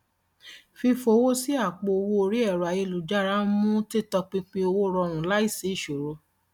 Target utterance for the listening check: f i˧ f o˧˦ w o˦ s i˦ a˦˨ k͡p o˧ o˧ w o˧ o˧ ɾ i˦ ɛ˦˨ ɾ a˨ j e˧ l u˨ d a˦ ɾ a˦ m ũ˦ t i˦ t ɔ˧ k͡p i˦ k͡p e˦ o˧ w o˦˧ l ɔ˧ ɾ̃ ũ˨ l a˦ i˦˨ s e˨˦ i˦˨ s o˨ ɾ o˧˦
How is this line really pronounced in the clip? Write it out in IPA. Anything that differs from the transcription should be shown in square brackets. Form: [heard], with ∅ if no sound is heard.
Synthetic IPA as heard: f i˧ f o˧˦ w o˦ s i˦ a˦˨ k͡p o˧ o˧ w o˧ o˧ ɾ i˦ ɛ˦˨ ɾ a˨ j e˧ l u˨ [d͡ʒ] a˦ ɾ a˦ m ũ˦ t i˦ t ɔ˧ k͡p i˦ k͡p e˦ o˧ w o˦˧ [ɾ] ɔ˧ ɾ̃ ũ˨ l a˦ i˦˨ s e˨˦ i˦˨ [ʃ] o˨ ɾ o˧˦